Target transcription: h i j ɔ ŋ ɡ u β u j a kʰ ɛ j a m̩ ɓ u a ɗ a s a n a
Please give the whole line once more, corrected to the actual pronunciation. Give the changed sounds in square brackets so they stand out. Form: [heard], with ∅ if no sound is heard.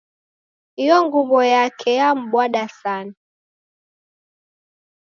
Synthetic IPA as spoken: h i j ɔ ŋ ɡ u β [ɔ] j a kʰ ɛ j a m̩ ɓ [w] a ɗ a s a n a